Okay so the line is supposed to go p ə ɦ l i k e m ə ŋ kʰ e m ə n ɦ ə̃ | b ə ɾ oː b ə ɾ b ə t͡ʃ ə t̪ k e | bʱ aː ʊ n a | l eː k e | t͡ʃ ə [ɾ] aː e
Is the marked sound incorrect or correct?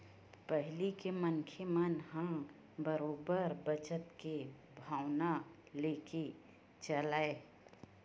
incorrect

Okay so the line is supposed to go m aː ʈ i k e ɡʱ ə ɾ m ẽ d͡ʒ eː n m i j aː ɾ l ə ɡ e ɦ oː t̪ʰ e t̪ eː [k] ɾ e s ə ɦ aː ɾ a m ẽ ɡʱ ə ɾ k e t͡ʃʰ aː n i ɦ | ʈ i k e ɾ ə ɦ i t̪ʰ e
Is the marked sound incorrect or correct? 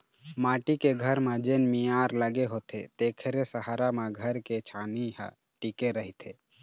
incorrect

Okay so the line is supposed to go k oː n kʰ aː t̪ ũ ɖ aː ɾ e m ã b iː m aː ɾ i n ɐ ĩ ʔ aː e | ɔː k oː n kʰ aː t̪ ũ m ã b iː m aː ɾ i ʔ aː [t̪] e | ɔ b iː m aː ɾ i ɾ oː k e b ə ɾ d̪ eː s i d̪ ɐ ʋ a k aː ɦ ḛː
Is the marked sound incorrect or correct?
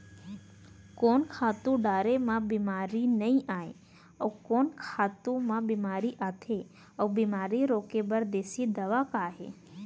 incorrect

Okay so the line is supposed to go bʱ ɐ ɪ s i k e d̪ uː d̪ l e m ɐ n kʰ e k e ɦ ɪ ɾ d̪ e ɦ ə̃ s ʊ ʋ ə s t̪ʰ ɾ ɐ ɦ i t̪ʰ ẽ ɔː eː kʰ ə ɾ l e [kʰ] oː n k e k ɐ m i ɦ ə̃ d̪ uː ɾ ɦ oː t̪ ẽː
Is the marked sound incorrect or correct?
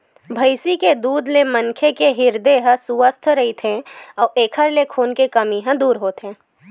correct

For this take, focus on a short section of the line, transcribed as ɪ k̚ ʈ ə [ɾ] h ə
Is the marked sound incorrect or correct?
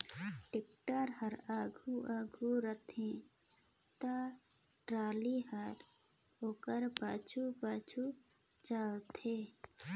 correct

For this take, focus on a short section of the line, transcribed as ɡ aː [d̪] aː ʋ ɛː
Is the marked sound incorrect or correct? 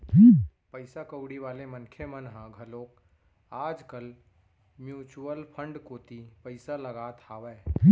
incorrect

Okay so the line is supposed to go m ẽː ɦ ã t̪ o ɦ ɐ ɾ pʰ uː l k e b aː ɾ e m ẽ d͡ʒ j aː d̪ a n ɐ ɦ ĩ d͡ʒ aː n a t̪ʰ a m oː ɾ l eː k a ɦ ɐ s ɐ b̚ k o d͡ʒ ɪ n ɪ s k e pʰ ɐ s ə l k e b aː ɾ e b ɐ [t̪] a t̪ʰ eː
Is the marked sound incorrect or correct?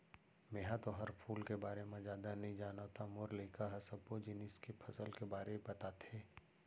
correct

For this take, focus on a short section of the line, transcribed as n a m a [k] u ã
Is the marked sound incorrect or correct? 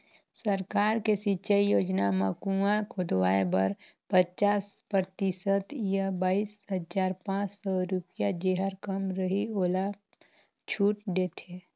correct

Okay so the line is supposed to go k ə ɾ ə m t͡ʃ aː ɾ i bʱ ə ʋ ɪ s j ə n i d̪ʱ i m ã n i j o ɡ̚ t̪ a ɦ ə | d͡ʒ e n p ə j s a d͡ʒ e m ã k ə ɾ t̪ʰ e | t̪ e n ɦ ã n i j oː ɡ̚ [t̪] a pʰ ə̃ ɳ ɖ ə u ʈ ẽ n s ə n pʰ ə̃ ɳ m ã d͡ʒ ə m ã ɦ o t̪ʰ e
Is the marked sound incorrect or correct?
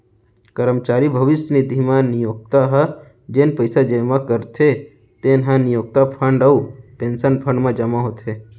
correct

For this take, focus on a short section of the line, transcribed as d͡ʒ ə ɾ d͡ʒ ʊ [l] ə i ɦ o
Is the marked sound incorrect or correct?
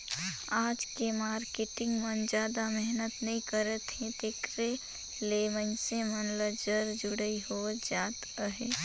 incorrect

